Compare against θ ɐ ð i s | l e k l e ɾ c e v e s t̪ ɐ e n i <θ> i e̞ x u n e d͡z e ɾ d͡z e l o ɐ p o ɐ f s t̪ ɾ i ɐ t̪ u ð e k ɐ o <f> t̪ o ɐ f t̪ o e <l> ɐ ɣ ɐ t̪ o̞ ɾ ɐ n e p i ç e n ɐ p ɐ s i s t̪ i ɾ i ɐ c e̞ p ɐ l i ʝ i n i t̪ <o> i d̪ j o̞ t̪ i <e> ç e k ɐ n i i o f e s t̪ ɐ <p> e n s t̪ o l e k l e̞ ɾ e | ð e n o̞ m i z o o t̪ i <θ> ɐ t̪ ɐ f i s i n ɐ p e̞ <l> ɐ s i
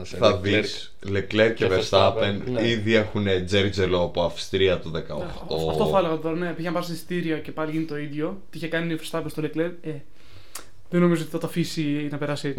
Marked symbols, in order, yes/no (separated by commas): no, no, yes, yes, no, yes, yes, no